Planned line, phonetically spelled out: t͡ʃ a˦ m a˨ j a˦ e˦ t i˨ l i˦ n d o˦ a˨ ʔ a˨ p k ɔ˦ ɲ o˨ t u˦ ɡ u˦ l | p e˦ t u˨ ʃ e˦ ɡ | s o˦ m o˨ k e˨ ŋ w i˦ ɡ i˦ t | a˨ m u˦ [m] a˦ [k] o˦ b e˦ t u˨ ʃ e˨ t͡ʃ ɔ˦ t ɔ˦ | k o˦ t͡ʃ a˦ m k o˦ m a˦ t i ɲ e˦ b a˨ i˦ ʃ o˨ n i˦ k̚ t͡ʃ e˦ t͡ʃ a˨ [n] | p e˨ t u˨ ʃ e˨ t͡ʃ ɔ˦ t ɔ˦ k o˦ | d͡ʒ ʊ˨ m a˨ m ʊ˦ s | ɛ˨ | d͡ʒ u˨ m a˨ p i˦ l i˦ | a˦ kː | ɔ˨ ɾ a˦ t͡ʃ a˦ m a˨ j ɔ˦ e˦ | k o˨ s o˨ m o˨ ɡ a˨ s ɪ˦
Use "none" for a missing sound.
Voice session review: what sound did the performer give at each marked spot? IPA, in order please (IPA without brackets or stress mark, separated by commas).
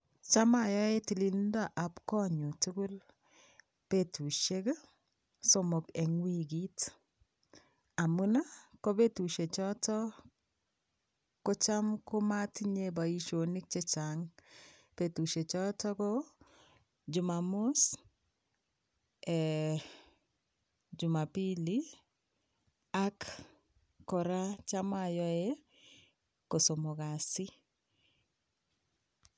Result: n, k, ŋ